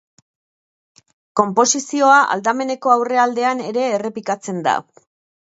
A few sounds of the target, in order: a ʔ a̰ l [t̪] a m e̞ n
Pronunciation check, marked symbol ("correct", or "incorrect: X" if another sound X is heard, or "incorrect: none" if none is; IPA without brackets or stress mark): incorrect: d̪